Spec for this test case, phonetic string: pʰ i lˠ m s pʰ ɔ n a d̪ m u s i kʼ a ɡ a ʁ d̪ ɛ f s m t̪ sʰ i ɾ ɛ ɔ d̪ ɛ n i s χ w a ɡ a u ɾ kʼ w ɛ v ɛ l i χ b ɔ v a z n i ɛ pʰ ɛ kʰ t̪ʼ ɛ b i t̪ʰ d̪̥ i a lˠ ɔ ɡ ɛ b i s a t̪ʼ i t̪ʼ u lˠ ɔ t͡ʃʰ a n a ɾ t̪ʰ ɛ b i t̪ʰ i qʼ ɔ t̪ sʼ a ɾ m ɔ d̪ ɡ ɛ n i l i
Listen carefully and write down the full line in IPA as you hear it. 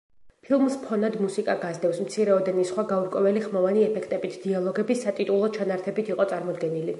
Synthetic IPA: pʰ i lˠ m s pʰ ɔ n a d̪ m u s i kʼ a ɡ a z d̪ ɛ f s m t̪ sʰ i ɾ ɛ ɔ d̪ ɛ n i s χ w a ɡ a u ɾ kʼ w ɛ v ɛ l i χ m ɔ v a n i ɛ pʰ ɛ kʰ t̪ʼ ɛ b i t̪ʰ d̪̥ i a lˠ ɔ ɡ ɛ b i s a t̪ʼ i t̪ʼ u lˠ ɔ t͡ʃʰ a n a ɾ t̪ʰ ɛ b i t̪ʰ i qʼ ɔ t̪ sʼ a ɾ m ɔ d̪ ɡ ɛ n i l i